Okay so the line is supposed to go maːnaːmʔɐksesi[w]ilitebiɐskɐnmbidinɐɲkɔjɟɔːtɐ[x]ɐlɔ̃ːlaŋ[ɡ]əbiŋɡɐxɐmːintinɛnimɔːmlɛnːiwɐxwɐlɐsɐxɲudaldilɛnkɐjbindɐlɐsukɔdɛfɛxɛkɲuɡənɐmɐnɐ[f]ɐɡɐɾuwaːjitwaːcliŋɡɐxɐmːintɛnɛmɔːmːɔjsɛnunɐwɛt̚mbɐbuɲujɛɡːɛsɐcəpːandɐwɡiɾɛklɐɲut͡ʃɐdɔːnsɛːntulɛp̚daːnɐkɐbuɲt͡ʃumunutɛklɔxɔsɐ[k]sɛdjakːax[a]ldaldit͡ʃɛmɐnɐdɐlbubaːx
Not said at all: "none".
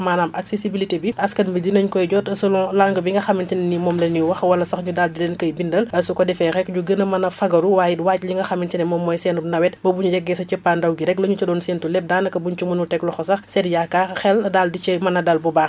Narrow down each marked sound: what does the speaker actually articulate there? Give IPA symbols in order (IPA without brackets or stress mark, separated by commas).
b, s, ɡ, f, x, ɛ